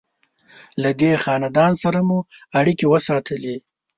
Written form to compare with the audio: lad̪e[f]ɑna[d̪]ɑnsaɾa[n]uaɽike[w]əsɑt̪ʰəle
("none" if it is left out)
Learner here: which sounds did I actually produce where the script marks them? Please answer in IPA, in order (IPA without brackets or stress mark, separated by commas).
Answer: x, d̪, m, w